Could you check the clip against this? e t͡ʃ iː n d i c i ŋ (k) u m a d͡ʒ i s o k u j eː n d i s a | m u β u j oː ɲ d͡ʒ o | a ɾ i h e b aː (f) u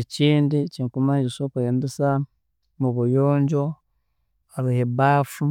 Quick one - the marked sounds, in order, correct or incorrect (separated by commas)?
correct, correct